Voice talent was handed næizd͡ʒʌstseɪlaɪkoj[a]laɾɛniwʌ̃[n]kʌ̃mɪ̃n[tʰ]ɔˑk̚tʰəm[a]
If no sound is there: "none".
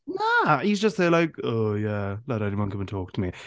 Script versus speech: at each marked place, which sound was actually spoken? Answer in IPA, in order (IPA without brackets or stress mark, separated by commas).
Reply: æ, n, tʰ, i